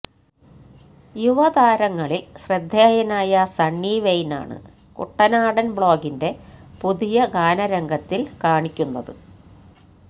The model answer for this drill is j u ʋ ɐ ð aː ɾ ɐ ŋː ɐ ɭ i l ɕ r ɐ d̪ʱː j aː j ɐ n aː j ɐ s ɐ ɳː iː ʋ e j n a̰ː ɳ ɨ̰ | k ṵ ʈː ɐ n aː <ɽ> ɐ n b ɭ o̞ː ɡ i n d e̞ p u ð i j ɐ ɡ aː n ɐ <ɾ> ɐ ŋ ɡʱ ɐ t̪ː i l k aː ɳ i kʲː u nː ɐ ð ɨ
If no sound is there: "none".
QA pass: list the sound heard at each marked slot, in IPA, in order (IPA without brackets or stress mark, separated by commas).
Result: ɽ, ɾ